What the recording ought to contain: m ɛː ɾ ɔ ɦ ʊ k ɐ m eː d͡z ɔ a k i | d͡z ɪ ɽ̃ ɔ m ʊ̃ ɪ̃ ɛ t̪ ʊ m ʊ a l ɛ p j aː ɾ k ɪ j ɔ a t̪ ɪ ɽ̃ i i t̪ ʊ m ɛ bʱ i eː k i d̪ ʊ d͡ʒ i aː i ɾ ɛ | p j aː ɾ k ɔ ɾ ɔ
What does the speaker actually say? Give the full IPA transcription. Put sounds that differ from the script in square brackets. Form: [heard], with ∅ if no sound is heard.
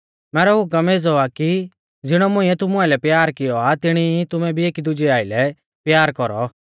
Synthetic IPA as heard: m ɛː ɾ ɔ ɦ ʊ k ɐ m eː d͡z ɔ a k i | d͡z ɪ ɽ̃ ɔ m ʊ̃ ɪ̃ ɛ t̪ ʊ m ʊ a l ɛ p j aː ɾ k ɪ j ɔ a t̪ ɪ ɽ̃ i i t̪ ʊ m ɛ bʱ i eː k i d̪ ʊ d͡ʒ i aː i [l] ɛ | p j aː ɾ k ɔ ɾ ɔ

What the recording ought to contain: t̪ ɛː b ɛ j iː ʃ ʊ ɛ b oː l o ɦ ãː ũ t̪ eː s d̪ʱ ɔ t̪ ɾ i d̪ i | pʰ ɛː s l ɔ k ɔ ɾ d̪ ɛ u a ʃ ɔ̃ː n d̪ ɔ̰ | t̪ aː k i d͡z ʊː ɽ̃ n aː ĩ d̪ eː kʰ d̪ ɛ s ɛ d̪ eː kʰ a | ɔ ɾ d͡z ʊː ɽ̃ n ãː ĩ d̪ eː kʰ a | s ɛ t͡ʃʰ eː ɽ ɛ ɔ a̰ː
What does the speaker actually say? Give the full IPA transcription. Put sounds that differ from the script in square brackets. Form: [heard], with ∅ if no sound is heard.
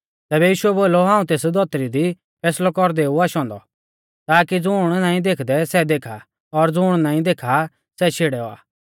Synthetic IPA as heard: t̪ ɛː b ɛ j iː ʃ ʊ ɛ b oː l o ɦ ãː ũ t̪ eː s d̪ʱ ɔ t̪ ɾ i d̪ i | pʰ ɛː s l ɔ k ɔ ɾ d̪ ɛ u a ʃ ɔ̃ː n d̪ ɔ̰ | t̪ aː k i d͡z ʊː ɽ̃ n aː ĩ d̪ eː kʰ d̪ ɛ s ɛ d̪ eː kʰ a | ɔ ɾ d͡z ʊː ɽ̃ n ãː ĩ d̪ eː kʰ a | s ɛ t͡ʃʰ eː ɽ ɛ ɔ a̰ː

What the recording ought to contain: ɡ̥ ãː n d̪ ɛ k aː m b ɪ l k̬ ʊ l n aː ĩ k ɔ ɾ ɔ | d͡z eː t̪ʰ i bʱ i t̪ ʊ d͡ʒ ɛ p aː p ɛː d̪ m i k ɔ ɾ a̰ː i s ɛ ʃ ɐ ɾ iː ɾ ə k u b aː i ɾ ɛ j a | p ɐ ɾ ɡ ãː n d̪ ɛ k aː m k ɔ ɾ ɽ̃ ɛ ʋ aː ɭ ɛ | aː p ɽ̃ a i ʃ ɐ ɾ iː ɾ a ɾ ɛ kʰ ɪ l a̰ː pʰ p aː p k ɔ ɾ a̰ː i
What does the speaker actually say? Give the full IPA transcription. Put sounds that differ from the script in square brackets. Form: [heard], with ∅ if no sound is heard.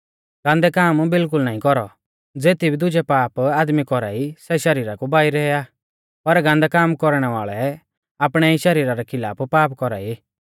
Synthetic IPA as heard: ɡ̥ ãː n d̪ ɛ k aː m b ɪ l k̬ ʊ l n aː ĩ k ɔ ɾ ɔ | d͡z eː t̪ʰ i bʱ i [d̪] ʊ d͡ʒ ɛ p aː p [aː] d̪ m i k ɔ ɾ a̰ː i s ɛ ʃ ɐ ɾ iː ɾ [a] k u b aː i ɾ ɛ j a | p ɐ ɾ ɡ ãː n d̪ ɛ k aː m k ɔ ɾ ɽ̃ ɛ ʋ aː ɭ ɛ | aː p ɽ̃ [ɛ] i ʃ ɐ ɾ iː ɾ a ɾ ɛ kʰ ɪ l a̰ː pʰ p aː p k ɔ ɾ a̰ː i

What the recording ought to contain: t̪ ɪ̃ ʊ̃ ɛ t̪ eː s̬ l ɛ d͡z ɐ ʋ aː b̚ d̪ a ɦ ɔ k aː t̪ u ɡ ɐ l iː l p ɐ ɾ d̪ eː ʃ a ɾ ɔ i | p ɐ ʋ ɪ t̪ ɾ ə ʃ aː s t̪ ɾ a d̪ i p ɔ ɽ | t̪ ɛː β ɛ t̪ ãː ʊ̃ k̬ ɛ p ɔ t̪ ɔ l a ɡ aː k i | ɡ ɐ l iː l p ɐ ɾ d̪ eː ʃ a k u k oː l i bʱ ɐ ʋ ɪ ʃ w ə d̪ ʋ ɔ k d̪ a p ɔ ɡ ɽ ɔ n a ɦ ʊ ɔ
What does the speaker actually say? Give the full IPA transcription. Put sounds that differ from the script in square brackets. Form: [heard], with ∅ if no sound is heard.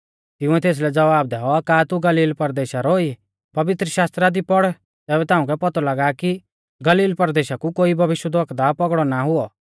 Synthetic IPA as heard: t̪ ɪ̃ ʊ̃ ɛ t̪ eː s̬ l ɛ d͡z ɐ ʋ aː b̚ d̪ [ɛ] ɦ ɔ k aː t̪ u ɡ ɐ l iː l p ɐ ɾ d̪ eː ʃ a ɾ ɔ i | p ɐ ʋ ɪ t̪ ɾ ə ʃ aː s t̪ ɾ a d̪ i p ɔ ɽ | t̪ ɛː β ɛ t̪ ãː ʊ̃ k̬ ɛ p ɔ t̪ ɔ l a ɡ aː k i | ɡ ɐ l iː l p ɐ ɾ d̪ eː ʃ a k u k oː [∅] i bʱ ɐ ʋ ɪ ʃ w ə d̪ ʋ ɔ k d̪ a p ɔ ɡ ɽ ɔ n a ɦ ʊ ɔ

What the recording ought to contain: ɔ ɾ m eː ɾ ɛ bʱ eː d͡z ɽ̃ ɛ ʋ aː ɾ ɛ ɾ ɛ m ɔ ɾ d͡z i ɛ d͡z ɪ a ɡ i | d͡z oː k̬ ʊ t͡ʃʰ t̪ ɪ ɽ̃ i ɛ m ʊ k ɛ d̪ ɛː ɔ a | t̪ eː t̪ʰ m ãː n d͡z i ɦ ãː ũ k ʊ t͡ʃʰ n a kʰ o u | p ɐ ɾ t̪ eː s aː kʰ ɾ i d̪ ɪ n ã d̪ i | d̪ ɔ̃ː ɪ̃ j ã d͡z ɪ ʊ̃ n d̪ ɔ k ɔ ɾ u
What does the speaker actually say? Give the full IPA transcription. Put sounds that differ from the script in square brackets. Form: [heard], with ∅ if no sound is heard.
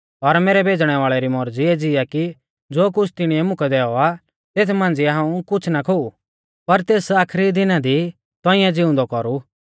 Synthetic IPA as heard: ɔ ɾ m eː ɾ ɛ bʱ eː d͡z ɽ̃ ɛ ʋ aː [ɭ] ɛ ɾ [i] m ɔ ɾ d͡z i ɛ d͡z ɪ a [k] i | d͡z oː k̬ ʊ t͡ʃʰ t̪ ɪ ɽ̃ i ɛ m ʊ k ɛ d̪ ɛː ɔ a | t̪ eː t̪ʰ m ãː n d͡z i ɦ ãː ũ k ʊ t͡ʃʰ n a kʰ o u | p ɐ ɾ t̪ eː s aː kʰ ɾ i d̪ ɪ n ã d̪ i | [t̪] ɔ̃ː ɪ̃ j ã d͡z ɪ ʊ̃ n d̪ ɔ k ɔ ɾ u

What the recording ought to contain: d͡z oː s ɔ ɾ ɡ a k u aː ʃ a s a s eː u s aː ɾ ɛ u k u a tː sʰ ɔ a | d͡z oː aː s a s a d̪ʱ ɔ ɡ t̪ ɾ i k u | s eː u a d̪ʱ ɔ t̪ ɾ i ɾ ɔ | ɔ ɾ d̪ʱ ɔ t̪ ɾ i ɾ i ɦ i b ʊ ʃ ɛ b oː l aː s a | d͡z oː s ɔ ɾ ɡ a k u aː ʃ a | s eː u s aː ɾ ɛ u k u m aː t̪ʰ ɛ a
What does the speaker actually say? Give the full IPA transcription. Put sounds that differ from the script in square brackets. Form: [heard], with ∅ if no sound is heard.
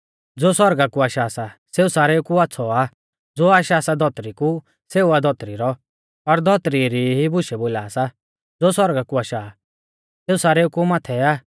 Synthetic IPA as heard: d͡z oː s ɔ ɾ ɡ a k u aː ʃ a s a s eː u s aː ɾ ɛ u k u a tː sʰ ɔ a | d͡z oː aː [ʃ] a s a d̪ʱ ɔ [∅] t̪ ɾ i k u | s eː u a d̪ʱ ɔ t̪ ɾ i ɾ ɔ | ɔ ɾ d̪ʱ ɔ t̪ ɾ i ɾ i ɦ i b ʊ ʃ ɛ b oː l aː s a | d͡z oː s ɔ ɾ ɡ a k u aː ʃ a | s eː u s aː ɾ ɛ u k u m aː t̪ʰ ɛ a

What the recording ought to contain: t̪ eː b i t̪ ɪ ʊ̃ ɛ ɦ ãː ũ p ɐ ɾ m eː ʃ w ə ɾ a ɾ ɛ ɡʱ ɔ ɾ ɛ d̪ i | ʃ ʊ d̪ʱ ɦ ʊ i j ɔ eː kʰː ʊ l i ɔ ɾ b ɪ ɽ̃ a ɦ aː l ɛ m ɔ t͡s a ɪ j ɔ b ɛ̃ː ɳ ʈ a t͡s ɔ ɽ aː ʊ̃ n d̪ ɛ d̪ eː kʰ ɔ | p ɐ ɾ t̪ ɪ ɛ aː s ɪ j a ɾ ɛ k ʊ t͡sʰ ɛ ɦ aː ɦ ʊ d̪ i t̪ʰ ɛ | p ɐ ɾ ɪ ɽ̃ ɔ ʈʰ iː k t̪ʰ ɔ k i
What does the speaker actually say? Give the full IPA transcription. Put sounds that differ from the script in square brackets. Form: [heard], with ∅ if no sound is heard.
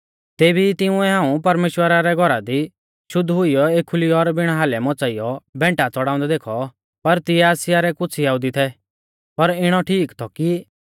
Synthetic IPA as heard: t̪ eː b i t̪ ɪ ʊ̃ ɛ ɦ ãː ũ p ɐ ɾ m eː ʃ w ə ɾ a ɾ ɛ ɡʱ ɔ ɾ [a] d̪ i | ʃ ʊ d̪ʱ ɦ ʊ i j ɔ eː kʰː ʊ l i ɔ ɾ b ɪ ɽ̃ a ɦ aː l ɛ m ɔ t͡s a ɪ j ɔ b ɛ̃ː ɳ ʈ a t͡s ɔ ɽ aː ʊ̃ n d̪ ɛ d̪ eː kʰ ɔ | p ɐ ɾ t̪ ɪ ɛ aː s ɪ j a ɾ ɛ k ʊ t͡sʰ [i] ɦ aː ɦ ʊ d̪ i t̪ʰ ɛ | p ɐ ɾ ɪ ɽ̃ ɔ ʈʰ iː k t̪ʰ ɔ k i

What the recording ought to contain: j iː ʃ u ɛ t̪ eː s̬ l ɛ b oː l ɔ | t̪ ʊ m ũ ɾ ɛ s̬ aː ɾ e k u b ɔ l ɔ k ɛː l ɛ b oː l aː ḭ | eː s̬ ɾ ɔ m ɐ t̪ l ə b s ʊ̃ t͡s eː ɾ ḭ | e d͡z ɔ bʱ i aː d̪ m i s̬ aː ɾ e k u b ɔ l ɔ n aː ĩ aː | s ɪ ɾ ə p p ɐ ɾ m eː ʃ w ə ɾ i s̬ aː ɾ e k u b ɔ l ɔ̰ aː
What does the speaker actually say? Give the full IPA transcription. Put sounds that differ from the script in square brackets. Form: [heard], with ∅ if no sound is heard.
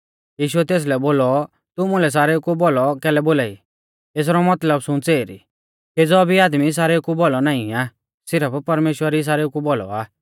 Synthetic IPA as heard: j iː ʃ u ɛ t̪ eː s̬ l ɛ b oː l ɔ | t̪ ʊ m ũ [l] ɛ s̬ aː ɾ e k u b ɔ l ɔ k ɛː l ɛ b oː l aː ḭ | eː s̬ ɾ ɔ m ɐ t̪ l ə b s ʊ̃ t͡s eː ɾ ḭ | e d͡z ɔ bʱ i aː d̪ m i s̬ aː ɾ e k u b ɔ l ɔ n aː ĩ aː | s ɪ ɾ ə p p ɐ ɾ m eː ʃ w ə ɾ i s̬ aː ɾ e k u b ɔ l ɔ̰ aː

